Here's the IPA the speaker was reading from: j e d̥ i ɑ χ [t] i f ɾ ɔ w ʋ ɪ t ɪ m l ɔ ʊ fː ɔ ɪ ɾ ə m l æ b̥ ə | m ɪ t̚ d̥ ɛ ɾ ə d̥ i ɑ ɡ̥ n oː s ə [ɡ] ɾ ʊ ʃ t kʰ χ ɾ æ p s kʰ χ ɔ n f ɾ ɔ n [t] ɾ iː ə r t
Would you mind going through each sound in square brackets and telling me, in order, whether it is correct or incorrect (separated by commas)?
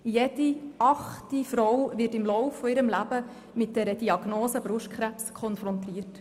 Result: correct, incorrect, correct